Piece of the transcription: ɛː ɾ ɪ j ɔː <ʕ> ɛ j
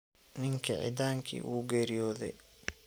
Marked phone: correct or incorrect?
incorrect